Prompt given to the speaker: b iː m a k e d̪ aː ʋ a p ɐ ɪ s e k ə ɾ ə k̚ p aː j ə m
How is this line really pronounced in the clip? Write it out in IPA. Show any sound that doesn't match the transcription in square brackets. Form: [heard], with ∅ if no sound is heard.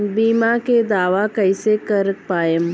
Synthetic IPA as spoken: b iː m a k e d̪ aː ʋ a [k] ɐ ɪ s e k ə ɾ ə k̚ p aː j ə m